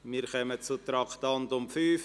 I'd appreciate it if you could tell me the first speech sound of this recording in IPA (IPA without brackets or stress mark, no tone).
m